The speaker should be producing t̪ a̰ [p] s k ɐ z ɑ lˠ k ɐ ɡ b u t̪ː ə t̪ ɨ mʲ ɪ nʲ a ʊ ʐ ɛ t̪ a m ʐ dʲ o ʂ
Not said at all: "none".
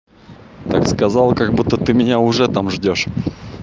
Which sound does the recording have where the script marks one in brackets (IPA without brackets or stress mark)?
k